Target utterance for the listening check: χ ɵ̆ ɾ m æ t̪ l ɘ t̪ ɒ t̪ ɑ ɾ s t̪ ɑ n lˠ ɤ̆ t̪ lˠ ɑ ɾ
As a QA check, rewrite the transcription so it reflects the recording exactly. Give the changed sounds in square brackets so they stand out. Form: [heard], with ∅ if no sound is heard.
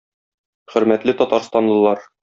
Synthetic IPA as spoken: χ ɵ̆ ɾ m æ t̪ l ɘ t̪ ɒ t̪ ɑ ɾ s t̪ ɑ n lˠ ɤ̆ [∅] lˠ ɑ ɾ